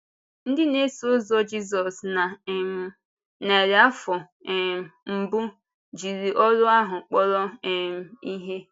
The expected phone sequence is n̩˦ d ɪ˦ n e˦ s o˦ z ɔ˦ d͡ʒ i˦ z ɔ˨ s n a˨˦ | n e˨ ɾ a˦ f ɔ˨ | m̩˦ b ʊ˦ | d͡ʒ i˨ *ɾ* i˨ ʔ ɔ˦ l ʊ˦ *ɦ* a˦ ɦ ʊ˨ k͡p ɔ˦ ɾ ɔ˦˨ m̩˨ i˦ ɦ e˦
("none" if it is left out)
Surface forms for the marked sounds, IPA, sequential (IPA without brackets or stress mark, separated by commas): ɾ, none